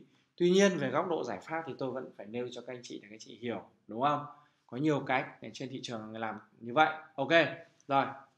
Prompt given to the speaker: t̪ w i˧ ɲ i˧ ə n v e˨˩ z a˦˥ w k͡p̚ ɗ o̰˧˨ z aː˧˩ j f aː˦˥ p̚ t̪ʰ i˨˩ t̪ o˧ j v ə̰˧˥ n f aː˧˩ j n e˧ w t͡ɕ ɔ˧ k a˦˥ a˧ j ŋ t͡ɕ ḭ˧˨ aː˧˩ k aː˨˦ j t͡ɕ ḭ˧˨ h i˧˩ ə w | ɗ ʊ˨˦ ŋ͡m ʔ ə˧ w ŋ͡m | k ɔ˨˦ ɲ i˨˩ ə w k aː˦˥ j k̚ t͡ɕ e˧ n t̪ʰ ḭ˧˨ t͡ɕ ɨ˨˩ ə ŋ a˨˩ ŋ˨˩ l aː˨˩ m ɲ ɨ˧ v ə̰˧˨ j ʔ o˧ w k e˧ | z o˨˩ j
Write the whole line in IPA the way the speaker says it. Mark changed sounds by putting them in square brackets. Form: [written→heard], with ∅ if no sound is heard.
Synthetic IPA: t̪ w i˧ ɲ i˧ ə n v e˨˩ [z→ɣ] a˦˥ w k͡p̚ ɗ o̰˧˨ z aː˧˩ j f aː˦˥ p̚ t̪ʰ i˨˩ t̪ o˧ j v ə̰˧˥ n f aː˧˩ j n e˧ w t͡ɕ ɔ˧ k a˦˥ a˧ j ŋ t͡ɕ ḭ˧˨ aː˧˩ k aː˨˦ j t͡ɕ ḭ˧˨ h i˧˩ ə w | ɗ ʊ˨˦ ŋ͡m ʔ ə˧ w ŋ͡m | k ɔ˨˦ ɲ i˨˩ ə w k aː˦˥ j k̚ t͡ɕ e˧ n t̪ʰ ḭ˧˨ t͡ɕ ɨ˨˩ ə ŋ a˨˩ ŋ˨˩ l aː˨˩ m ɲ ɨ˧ v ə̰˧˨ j ʔ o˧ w k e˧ | z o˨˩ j